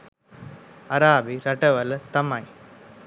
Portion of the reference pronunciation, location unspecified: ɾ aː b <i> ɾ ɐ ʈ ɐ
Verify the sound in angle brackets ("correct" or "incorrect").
correct